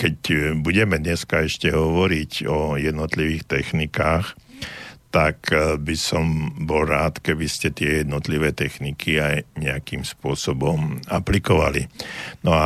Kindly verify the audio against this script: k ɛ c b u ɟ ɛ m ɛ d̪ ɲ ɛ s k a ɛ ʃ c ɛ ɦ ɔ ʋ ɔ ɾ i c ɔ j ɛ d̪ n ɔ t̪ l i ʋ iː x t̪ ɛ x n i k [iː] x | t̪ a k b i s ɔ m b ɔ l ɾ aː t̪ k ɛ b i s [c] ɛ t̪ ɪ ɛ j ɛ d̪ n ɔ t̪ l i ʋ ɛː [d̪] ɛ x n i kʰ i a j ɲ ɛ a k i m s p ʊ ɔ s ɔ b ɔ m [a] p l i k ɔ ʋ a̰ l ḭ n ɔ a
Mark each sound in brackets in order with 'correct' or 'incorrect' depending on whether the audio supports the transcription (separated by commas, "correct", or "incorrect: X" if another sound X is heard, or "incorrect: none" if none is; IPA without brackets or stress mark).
incorrect: aː, correct, incorrect: t̪, correct